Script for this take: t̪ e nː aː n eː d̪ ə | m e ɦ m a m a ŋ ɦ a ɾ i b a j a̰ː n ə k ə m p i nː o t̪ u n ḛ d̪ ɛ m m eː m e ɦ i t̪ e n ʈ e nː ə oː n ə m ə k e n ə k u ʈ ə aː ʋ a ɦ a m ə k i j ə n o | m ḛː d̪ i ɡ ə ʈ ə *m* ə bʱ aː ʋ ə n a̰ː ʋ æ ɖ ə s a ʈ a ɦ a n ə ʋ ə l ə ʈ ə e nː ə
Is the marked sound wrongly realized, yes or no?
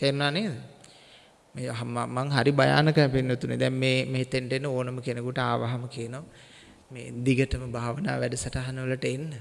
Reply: no